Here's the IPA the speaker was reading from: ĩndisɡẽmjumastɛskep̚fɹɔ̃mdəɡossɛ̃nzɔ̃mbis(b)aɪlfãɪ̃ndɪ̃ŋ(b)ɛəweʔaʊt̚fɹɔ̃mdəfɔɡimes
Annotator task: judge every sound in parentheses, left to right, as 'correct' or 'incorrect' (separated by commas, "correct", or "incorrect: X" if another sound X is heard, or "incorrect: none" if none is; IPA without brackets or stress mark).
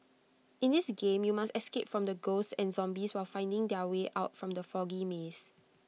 incorrect: w, incorrect: d